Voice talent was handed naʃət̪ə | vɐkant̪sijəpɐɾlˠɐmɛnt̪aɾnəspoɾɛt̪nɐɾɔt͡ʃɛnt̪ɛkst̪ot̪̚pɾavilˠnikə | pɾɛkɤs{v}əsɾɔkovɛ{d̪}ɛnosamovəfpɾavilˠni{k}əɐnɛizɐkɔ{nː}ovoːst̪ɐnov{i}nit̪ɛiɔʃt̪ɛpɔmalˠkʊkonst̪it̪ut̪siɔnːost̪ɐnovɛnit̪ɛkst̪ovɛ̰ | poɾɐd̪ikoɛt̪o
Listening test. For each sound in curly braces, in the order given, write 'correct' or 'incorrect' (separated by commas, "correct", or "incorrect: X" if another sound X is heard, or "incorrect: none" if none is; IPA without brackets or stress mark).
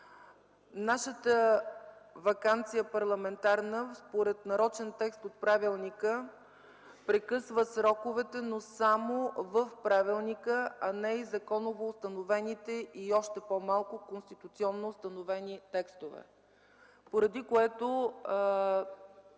correct, incorrect: t̪, correct, incorrect: n, incorrect: ɛ